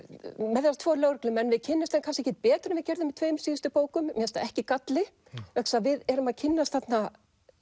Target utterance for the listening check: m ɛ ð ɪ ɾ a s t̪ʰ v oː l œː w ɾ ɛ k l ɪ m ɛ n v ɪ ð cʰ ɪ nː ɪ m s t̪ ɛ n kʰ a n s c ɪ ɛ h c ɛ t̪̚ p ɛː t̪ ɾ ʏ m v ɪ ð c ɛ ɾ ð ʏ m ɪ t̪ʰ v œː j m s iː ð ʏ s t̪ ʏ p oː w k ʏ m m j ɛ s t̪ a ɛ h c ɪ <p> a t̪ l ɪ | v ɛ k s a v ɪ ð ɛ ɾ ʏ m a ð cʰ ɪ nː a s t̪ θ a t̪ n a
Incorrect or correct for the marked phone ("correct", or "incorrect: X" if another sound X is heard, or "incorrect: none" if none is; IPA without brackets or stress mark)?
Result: incorrect: k